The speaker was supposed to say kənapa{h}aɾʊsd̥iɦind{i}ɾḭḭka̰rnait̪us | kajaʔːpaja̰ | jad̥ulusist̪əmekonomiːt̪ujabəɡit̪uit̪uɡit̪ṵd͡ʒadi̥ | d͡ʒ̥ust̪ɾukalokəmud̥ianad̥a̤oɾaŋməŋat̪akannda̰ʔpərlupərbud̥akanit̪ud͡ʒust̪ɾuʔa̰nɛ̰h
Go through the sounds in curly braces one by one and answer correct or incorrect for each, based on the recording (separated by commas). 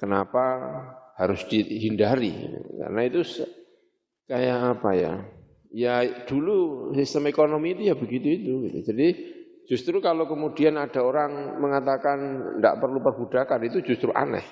correct, incorrect